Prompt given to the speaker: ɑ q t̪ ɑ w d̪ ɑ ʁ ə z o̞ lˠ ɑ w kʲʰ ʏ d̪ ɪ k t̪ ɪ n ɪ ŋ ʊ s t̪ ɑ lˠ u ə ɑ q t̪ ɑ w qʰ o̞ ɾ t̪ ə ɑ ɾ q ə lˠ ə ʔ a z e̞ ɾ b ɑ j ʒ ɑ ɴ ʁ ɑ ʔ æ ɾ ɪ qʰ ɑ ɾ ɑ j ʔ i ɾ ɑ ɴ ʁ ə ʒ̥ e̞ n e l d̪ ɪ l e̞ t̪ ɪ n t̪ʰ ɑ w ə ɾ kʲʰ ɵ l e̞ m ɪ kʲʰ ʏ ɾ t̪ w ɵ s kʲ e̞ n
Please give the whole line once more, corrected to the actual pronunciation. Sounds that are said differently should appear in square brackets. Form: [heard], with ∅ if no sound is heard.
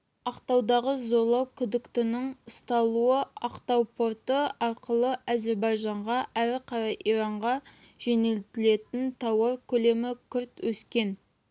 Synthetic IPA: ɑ q t̪ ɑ w d̪ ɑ ʁ ə z o̞ lˠ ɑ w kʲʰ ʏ d̪ ɪ k t̪ ɪ n ɪ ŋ ʊ s t̪ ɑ lˠ u ə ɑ q t̪ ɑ w [pʰ] o̞ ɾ t̪ ə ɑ ɾ q ə lˠ ə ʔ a z e̞ ɾ b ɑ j ʒ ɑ ɴ ʁ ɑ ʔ æ ɾ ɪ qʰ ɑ ɾ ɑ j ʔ i ɾ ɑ ɴ ʁ [ɑ] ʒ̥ e̞ n e l [t̪] ɪ l e̞ t̪ ɪ n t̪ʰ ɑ w [ɑ] ɾ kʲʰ ɵ l e̞ m ɪ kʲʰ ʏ ɾ t̪ w ɵ s kʲ e̞ n